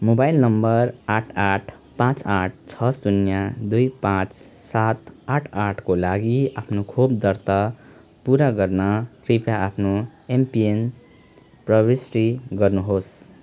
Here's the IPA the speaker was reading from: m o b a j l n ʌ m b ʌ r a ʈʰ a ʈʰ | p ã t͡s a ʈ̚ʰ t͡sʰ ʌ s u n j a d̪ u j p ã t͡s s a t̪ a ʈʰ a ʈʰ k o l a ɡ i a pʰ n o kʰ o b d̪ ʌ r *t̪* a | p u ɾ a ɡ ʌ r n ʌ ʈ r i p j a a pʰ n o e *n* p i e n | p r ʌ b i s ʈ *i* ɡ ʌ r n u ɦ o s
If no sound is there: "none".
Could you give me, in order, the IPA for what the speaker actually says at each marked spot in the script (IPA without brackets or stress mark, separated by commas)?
t̪, m, i